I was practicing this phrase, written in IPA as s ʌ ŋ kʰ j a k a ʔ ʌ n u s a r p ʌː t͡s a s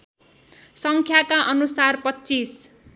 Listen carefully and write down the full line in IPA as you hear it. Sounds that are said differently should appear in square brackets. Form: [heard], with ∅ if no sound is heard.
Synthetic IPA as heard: s ʌ ŋ kʰ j a k a ʔ ʌ n u s a r p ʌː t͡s [i] s

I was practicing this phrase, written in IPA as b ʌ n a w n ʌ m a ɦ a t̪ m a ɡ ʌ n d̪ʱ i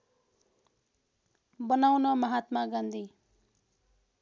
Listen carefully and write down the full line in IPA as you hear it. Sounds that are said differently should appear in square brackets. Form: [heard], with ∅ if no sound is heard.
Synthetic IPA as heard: b ʌ n a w n ʌ m [ʌ] ɦ a t̪ m a ɡ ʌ n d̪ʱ i

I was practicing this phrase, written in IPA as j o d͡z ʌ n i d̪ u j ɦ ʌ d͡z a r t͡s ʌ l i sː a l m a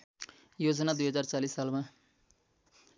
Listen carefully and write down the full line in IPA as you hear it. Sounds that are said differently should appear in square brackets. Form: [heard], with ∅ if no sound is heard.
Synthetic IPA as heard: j o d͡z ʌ n [a] d̪ u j ɦ ʌ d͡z a r t͡s [a] l i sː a l m a

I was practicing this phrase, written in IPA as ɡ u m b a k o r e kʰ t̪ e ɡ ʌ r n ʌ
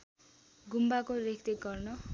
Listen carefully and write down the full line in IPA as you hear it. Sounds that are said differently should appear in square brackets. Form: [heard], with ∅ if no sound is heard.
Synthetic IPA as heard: ɡ u m b a k o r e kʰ t̪ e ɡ ʌ r n ʌ

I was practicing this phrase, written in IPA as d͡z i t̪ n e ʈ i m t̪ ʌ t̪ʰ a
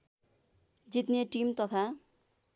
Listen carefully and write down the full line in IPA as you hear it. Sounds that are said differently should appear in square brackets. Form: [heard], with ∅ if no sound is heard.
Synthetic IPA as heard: d͡z i t̪ n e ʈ i m t̪ ʌ t̪ʰ a

